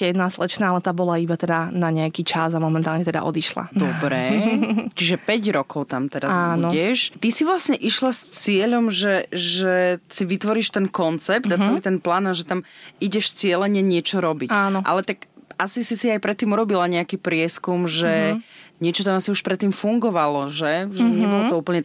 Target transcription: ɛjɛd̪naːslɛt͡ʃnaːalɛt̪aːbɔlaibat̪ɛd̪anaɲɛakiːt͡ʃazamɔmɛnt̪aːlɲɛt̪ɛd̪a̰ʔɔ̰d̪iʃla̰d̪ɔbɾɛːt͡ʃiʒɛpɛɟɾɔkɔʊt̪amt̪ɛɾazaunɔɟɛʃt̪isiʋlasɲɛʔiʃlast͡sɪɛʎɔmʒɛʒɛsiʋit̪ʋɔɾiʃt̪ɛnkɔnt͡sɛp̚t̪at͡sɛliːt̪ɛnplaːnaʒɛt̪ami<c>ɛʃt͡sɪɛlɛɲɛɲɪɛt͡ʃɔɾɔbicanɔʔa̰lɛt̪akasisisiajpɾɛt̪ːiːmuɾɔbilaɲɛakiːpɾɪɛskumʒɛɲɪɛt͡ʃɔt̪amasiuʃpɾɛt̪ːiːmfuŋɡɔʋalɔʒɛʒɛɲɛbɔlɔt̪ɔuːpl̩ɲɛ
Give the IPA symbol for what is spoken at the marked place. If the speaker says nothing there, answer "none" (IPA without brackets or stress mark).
ɟ